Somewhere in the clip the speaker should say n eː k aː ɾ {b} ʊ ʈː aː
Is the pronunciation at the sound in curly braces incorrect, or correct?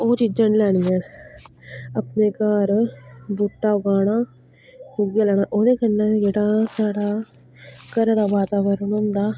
correct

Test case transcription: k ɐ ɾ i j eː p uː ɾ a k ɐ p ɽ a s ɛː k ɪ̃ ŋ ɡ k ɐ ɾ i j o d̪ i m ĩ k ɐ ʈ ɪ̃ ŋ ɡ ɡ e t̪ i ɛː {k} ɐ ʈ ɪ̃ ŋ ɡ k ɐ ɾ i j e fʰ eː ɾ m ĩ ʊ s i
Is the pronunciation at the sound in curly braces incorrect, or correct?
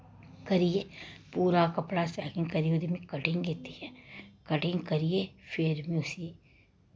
correct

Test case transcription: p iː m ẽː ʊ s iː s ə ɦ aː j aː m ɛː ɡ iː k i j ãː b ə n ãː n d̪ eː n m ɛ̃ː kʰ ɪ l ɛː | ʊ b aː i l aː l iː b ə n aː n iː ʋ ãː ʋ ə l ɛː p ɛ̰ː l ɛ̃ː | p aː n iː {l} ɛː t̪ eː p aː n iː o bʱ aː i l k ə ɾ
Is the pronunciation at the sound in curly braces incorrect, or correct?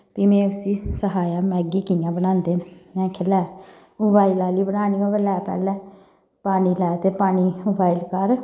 correct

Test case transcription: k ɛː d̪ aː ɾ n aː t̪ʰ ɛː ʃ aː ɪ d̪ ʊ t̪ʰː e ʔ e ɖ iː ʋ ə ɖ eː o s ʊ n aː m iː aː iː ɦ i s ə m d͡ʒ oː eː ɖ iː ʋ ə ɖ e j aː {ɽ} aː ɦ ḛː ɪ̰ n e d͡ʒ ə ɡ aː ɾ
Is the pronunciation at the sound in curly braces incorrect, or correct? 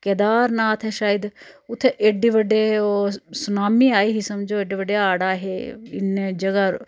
correct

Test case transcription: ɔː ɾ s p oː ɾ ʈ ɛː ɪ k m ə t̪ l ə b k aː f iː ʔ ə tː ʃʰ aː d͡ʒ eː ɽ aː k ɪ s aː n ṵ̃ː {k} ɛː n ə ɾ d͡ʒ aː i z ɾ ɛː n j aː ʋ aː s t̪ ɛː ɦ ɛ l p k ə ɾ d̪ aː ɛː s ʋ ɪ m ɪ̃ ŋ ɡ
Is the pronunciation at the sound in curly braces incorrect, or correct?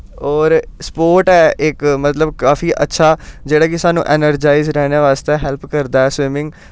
incorrect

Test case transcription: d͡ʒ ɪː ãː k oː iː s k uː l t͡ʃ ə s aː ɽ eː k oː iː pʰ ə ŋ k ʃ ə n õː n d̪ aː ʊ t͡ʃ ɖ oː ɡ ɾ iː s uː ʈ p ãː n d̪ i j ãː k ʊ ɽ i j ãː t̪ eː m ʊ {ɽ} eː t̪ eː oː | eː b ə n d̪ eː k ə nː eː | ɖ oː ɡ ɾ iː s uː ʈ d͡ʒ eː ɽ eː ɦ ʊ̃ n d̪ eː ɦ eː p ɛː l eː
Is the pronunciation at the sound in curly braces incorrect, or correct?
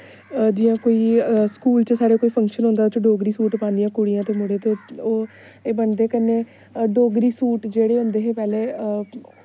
correct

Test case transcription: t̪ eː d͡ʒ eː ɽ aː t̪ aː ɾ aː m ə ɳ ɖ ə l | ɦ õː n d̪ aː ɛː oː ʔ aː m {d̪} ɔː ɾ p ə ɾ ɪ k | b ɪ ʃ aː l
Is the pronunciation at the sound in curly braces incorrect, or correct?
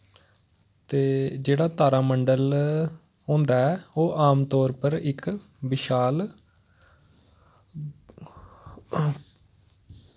incorrect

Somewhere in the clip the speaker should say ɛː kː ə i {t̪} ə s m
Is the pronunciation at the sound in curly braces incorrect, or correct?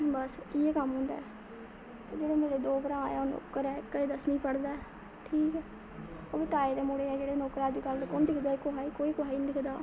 incorrect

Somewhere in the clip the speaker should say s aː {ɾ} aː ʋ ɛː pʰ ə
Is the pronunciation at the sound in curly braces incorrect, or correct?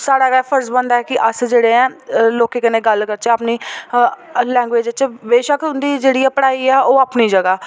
incorrect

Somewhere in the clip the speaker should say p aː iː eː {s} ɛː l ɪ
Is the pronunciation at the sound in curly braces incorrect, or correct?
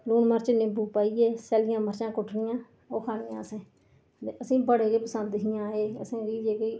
correct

